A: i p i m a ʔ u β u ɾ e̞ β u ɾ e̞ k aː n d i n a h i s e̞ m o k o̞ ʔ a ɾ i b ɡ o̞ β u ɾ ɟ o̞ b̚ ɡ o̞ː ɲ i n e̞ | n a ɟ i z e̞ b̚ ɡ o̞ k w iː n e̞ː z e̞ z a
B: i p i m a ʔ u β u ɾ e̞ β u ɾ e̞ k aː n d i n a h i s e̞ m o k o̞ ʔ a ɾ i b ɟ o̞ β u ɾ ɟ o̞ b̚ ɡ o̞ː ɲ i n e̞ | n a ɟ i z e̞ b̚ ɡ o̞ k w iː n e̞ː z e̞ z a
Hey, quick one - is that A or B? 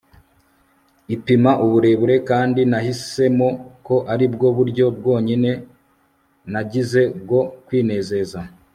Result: A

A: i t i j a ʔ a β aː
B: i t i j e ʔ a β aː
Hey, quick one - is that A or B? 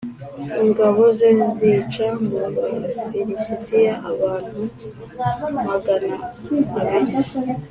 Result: A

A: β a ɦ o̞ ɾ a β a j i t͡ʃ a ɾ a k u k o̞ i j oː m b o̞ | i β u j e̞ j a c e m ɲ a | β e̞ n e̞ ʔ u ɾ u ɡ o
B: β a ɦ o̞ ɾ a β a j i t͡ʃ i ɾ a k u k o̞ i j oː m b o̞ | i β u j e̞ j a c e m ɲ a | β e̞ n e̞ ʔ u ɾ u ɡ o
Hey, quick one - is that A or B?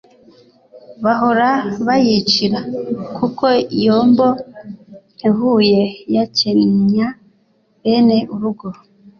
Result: B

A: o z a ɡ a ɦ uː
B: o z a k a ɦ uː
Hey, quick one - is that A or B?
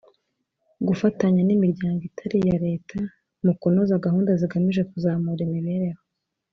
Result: A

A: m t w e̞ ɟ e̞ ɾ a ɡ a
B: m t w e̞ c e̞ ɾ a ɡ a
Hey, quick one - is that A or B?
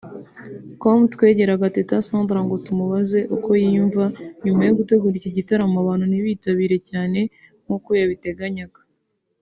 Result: A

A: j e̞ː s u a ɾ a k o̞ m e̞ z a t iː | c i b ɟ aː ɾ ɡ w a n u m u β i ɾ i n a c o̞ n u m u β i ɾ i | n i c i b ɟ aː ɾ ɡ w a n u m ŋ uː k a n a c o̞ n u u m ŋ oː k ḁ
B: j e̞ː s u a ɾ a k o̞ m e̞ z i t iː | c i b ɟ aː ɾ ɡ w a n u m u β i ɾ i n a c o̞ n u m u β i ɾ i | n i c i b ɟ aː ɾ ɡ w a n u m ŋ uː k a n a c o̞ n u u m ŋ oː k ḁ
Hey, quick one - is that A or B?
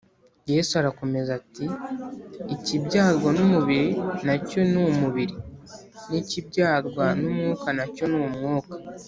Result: A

